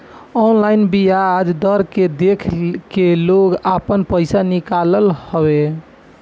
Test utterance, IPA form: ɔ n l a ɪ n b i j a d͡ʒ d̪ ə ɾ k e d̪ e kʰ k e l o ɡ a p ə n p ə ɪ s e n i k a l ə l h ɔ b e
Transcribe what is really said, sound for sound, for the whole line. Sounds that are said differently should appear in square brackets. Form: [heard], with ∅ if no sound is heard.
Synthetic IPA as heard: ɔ n l a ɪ n b i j a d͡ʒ d̪ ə ɾ k e d̪ e kʰ k e l o ɡ a p ə n p ə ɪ s [a] n i k a l ə l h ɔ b e